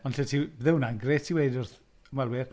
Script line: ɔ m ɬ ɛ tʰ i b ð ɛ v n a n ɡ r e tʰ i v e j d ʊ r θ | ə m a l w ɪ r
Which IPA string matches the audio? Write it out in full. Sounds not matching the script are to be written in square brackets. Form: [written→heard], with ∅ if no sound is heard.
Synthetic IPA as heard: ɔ [m→n] ɬ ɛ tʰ i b ð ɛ [v→w] n a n ɡ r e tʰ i [v→w] e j d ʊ r θ | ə m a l w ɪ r